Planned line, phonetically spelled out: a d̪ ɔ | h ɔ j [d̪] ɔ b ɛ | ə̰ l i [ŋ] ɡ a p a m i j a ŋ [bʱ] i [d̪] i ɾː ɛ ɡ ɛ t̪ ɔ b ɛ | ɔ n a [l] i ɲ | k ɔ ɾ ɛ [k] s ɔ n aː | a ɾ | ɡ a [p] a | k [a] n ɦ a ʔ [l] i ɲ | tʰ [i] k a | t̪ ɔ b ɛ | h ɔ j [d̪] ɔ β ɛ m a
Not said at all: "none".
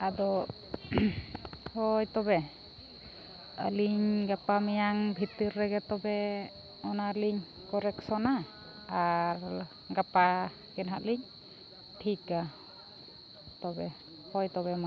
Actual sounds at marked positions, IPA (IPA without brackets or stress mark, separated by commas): t̪, ɲ, bʱ, t̪, l, k, p, ɛ, l, i, t̪